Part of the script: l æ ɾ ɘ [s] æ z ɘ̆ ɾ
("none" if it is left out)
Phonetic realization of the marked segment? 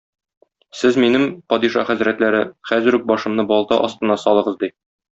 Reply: χ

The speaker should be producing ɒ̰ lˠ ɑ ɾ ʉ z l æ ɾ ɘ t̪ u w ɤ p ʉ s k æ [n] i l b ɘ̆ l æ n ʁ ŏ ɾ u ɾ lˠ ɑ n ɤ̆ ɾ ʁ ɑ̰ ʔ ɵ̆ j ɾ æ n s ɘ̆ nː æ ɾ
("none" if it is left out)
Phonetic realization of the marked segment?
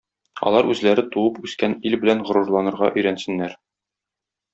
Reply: n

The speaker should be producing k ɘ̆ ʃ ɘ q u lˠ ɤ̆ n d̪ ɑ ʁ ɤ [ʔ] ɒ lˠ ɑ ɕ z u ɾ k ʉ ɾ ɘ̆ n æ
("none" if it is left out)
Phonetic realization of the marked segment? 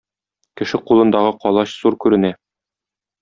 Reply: q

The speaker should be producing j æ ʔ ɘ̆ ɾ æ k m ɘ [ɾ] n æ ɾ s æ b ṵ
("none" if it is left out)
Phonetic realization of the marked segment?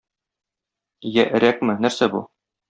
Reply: none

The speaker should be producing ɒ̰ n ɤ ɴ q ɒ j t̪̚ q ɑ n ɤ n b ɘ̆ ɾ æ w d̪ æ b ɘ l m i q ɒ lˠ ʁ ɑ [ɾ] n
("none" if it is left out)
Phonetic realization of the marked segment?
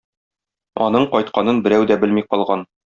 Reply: none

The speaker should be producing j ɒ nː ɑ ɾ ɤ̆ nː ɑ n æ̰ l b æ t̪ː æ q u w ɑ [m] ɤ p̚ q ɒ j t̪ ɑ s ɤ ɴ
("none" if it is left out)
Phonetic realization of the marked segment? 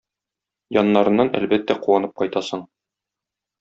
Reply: n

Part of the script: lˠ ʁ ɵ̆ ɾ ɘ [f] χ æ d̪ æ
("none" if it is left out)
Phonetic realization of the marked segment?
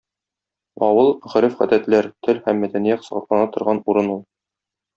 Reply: f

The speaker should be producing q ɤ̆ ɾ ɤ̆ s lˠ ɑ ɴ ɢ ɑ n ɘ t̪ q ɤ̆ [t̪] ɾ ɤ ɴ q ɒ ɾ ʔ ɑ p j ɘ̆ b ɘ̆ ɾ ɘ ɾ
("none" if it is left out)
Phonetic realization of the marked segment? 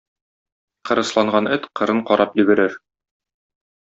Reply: none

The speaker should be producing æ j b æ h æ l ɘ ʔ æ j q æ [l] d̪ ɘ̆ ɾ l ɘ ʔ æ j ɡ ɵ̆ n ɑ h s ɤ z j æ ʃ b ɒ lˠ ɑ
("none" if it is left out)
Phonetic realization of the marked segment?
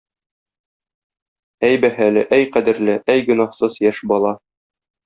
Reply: none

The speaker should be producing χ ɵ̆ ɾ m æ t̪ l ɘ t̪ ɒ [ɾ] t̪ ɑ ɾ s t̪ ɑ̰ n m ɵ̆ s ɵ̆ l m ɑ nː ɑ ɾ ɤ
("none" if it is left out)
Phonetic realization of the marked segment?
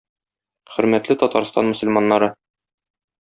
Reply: none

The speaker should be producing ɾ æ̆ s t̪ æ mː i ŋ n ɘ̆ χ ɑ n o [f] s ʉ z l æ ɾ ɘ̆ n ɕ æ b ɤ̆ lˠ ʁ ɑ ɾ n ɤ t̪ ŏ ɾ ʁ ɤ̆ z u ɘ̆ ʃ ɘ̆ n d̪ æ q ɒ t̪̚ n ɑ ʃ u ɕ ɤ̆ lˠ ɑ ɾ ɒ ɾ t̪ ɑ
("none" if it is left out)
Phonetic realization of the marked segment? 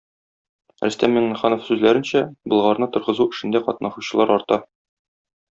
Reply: f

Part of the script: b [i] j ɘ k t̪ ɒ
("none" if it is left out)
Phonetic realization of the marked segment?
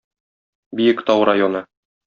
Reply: i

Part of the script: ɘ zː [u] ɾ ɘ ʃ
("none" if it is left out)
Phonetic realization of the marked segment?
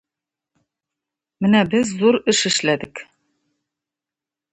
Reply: u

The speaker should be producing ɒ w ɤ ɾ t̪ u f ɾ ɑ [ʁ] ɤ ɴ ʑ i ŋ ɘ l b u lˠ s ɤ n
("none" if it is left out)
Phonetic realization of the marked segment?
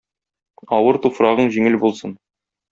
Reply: ʁ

